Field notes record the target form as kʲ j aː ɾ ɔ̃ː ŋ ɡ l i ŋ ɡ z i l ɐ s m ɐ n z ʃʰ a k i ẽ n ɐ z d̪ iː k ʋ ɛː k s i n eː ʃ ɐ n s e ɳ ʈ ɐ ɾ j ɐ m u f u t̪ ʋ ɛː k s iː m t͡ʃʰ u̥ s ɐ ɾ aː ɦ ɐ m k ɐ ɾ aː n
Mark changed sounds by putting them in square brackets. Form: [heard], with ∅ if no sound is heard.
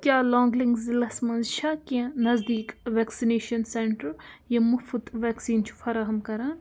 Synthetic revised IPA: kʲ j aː [l] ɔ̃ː ŋ ɡ l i ŋ ɡ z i l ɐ s m ɐ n z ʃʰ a k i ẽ n ɐ z d̪ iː k ʋ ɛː k s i n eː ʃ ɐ n s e ɳ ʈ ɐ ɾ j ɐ m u f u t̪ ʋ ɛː k s iː [n] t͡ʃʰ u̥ [f] ɐ ɾ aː ɦ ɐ m k ɐ ɾ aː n